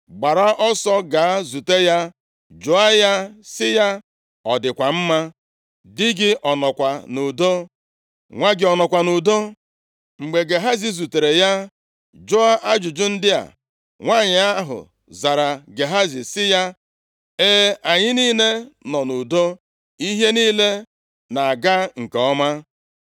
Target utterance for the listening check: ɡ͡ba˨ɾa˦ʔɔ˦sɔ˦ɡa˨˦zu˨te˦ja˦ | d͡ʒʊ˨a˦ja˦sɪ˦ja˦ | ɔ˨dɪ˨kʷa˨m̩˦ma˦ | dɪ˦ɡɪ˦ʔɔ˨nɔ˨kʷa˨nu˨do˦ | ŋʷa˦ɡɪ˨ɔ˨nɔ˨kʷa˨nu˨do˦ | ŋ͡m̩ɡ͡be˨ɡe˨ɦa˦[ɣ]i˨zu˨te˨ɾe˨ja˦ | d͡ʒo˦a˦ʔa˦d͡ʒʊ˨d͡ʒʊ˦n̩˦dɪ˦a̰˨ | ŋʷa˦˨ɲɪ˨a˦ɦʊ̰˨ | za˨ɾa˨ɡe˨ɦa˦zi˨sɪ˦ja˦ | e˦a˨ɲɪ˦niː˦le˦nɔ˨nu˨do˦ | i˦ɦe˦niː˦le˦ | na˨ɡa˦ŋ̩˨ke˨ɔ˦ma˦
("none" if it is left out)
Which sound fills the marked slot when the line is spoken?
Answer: z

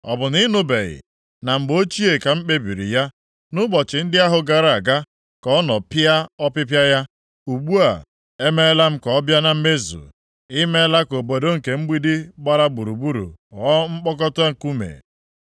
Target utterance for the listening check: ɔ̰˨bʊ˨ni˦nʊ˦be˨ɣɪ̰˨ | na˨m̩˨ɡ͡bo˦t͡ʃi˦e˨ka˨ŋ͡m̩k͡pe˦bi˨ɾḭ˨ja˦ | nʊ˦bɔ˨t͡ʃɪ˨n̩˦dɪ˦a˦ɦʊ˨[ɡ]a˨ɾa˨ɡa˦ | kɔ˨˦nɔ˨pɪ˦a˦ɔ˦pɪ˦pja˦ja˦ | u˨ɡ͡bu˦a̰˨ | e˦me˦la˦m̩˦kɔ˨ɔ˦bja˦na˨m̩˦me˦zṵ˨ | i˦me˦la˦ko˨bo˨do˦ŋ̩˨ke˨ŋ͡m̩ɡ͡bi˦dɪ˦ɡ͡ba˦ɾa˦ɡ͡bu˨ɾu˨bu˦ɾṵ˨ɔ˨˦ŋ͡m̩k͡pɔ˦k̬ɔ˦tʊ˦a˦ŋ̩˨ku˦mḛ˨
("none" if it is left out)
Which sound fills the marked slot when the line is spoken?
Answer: ɡ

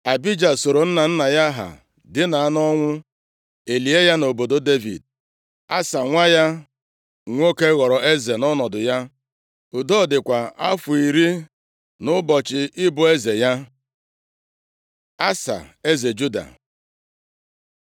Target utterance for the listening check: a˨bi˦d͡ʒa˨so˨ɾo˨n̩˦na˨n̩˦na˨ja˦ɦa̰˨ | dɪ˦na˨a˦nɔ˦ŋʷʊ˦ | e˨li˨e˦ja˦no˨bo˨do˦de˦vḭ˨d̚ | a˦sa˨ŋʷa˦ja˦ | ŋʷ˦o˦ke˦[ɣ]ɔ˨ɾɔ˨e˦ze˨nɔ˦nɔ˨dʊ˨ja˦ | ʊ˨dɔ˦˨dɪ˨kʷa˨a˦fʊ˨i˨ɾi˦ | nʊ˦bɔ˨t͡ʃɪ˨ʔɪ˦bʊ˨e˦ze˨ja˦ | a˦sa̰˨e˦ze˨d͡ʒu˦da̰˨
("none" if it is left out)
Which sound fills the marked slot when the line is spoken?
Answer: ɣ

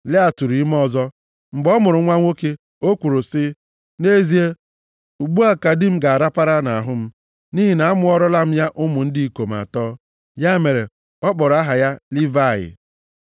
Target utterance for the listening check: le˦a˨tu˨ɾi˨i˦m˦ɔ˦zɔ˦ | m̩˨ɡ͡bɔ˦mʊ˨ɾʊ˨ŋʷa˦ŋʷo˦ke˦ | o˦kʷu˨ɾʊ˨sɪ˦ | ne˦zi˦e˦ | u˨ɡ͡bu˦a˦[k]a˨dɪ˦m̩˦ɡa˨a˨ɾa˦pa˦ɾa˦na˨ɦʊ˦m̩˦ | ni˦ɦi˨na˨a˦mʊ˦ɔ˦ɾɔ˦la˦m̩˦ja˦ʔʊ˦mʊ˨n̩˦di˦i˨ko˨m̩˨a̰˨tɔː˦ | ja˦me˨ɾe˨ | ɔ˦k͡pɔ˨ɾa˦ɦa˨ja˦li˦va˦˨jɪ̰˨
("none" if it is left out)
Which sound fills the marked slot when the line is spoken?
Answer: k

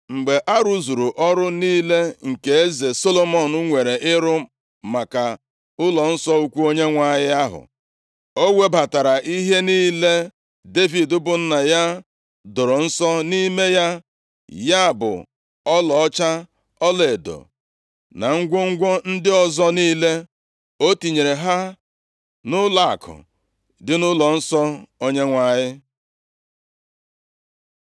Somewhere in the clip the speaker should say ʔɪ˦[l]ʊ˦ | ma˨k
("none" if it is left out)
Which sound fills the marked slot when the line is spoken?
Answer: ɾ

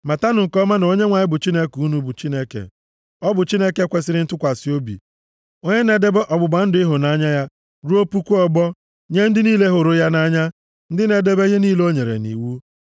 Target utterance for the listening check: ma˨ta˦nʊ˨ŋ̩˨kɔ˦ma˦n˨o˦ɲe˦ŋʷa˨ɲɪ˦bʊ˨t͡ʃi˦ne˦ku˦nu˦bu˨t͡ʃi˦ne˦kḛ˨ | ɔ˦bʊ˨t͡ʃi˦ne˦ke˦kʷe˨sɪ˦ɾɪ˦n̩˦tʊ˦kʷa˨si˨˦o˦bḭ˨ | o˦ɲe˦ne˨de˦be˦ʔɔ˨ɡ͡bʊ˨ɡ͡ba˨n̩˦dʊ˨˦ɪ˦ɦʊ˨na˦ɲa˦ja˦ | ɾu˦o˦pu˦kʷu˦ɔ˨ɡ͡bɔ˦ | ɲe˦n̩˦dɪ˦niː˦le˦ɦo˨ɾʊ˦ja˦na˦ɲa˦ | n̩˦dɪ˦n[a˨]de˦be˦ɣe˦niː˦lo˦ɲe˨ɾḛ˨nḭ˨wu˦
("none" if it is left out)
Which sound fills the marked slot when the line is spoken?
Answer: e˨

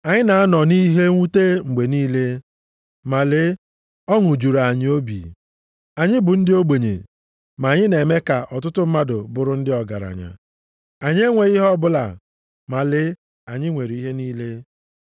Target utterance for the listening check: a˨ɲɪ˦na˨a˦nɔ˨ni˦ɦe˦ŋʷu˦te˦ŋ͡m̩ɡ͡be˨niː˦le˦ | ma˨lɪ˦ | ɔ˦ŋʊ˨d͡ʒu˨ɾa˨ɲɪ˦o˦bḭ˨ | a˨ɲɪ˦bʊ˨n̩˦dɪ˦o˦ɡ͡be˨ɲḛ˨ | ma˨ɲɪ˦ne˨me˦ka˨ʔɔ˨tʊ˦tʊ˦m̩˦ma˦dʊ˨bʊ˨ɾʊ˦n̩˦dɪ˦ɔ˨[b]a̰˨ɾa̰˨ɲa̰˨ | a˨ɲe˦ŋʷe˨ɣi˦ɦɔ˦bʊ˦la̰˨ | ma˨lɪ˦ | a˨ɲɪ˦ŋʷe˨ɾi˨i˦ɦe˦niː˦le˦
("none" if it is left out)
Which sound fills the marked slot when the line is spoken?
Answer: ɡ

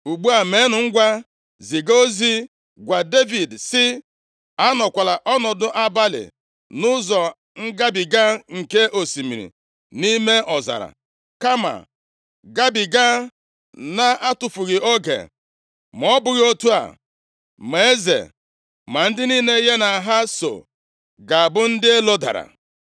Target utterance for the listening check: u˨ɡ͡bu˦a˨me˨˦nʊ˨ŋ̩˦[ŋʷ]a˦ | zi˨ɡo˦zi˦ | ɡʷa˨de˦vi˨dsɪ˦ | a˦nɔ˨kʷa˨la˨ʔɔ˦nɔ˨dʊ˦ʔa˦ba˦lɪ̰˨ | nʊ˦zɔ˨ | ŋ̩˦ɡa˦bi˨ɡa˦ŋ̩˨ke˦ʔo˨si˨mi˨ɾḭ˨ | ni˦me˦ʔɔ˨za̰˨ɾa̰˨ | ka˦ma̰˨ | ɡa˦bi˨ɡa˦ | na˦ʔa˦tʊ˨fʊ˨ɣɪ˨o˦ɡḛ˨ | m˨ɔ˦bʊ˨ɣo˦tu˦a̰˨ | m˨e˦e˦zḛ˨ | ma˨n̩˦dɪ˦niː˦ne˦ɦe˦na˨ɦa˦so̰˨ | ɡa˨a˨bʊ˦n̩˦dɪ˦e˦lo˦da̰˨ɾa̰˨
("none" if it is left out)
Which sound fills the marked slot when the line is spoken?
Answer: ɡʷ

